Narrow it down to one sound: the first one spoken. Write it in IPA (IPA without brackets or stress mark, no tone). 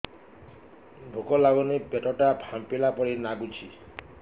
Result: bʱ